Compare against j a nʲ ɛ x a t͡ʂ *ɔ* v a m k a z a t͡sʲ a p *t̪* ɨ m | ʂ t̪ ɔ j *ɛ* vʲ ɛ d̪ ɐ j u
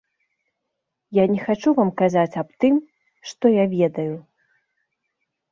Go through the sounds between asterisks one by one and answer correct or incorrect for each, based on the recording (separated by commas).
incorrect, correct, incorrect